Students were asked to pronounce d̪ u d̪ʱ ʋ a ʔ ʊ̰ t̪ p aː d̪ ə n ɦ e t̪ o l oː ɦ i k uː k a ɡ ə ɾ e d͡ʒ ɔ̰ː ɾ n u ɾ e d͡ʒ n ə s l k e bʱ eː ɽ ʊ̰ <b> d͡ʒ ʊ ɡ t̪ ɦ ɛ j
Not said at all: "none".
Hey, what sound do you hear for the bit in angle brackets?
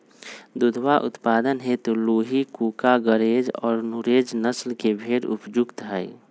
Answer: p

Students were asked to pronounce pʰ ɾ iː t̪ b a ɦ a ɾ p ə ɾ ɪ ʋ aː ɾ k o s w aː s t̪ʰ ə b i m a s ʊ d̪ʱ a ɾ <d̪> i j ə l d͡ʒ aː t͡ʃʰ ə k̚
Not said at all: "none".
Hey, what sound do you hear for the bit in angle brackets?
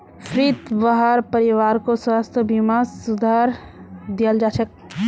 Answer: d̪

